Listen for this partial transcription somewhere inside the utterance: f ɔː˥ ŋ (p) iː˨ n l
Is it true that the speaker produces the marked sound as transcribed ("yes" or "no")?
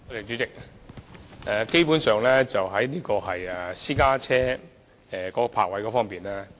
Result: yes